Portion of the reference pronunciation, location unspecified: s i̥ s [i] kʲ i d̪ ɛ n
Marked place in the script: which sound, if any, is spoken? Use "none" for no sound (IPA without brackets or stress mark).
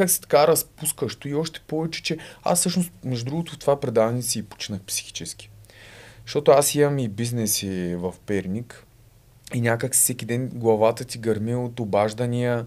ɛ